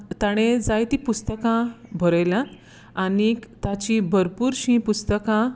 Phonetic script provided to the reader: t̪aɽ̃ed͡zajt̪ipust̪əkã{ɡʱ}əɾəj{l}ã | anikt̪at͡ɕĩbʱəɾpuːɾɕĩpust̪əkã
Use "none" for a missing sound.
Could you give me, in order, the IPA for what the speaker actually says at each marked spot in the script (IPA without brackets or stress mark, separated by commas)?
bʱ, l